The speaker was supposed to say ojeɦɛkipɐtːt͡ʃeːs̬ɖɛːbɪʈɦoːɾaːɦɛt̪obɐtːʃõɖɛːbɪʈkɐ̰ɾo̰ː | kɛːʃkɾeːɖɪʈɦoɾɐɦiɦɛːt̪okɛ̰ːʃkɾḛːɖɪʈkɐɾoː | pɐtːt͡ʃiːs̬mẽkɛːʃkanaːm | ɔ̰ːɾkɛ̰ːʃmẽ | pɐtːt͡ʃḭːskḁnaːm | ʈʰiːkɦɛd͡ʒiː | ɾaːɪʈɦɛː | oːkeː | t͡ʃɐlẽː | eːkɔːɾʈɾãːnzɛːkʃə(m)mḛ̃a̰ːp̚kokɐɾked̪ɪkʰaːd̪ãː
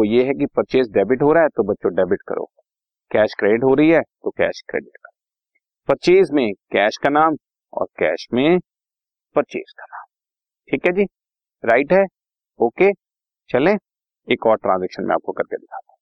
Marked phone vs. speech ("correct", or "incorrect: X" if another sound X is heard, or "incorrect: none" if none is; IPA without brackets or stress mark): incorrect: n